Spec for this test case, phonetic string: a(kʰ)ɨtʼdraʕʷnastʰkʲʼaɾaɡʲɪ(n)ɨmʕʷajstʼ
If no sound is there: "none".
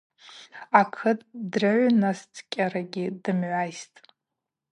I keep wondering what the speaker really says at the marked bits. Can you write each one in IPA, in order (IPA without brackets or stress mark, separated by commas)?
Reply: kʰ, d